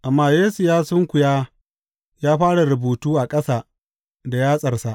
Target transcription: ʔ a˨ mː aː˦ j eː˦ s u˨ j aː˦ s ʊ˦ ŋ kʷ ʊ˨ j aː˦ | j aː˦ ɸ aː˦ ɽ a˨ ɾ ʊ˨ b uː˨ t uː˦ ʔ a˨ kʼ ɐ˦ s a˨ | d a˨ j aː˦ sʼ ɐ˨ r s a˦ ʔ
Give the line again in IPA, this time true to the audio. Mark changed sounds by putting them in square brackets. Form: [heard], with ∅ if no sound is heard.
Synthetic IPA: ʔ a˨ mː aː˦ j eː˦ s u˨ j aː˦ s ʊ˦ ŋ kʷ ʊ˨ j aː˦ | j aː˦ ɸ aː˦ ɽ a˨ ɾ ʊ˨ b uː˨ t uː˦ ʔ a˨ kʼ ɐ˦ s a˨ | d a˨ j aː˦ sʼ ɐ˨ r s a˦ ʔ